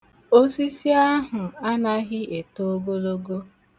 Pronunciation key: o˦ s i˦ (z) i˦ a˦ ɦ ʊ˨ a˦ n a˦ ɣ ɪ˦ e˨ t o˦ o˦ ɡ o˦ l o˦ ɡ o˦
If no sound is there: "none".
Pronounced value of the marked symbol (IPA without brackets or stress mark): s